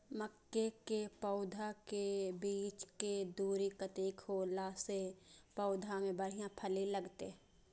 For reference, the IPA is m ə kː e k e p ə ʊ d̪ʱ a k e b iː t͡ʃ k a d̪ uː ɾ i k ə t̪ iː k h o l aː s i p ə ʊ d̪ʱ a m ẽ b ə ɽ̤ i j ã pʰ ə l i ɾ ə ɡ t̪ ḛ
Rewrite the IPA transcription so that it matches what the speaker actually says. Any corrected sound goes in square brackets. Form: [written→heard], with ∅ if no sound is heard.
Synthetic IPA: m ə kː e k e p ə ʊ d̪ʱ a k e b iː t͡ʃ k [a→e] d̪ uː ɾ i k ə t̪ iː k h o l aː s [i→e] p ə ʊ d̪ʱ a m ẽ b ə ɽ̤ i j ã pʰ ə l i [ɾ→l] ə ɡ t̪ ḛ